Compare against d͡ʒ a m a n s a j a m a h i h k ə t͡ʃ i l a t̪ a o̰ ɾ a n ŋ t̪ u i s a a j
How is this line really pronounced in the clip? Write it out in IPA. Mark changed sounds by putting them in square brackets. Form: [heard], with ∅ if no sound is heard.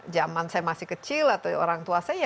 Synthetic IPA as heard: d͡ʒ a m a n s a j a m a [s] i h k ə t͡ʃ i l a t̪ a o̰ ɾ a [∅] ŋ t̪ u [a] s a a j